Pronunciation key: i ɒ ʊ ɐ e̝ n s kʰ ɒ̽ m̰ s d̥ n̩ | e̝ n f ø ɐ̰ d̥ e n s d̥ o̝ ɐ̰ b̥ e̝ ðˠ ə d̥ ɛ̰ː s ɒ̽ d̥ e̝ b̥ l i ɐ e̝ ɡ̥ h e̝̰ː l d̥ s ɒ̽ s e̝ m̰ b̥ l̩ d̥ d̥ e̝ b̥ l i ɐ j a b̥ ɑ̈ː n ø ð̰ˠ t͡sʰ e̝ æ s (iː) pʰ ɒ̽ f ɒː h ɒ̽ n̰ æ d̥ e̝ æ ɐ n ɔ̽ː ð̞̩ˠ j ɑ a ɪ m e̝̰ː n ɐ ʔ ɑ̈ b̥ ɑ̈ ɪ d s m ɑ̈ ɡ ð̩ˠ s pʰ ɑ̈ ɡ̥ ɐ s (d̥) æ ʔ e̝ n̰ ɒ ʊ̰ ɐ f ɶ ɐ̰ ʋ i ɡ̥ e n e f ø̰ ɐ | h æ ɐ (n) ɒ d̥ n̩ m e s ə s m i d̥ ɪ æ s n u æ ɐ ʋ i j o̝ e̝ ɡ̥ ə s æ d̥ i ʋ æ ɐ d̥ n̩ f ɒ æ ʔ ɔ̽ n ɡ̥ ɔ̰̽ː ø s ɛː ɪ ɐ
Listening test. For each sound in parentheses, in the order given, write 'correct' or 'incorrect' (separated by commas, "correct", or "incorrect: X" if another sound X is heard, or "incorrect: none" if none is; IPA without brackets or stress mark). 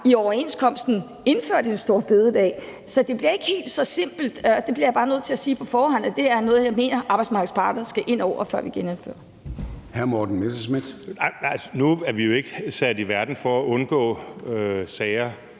correct, incorrect: ɡ̥, incorrect: m